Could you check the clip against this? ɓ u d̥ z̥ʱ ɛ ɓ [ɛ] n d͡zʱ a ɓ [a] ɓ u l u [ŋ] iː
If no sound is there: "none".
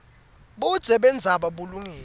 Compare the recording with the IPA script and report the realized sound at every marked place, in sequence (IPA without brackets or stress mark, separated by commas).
ɛ, a, ŋ